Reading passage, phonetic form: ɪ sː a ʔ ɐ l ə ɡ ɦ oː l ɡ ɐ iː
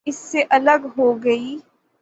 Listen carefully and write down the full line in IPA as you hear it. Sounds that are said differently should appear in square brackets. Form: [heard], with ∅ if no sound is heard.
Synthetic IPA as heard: ɪ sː [e] ʔ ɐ l ə ɡ ɦ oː [∅] ɡ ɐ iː